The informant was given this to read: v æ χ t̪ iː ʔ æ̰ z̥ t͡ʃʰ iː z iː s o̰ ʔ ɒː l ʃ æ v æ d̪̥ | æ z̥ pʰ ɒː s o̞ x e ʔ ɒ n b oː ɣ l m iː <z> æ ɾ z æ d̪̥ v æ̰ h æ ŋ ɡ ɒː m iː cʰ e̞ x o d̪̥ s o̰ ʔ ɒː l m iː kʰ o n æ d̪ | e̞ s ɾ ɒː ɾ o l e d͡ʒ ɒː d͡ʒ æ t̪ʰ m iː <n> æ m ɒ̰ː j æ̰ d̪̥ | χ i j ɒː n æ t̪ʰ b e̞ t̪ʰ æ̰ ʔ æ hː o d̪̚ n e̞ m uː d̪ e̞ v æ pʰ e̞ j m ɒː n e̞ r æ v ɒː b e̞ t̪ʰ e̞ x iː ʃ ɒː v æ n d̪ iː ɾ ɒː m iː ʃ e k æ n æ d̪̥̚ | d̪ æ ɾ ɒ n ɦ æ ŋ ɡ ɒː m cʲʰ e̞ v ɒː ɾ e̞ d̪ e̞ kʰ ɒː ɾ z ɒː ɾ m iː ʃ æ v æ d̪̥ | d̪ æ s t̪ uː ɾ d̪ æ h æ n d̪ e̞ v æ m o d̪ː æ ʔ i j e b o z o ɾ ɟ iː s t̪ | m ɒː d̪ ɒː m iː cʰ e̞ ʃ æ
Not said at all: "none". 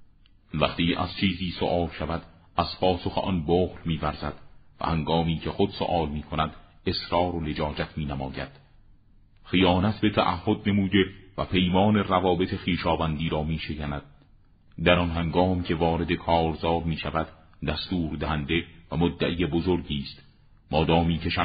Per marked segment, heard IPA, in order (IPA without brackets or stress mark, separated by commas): v, n